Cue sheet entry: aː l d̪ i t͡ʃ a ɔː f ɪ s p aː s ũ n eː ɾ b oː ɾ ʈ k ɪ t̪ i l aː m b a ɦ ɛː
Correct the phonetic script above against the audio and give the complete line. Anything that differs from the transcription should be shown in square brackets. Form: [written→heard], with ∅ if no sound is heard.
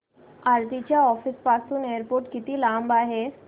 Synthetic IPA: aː [l→ɾ] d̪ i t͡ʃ a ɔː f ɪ s p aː s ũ n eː ɾ [b→p] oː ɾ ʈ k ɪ t̪ i l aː m b a ɦ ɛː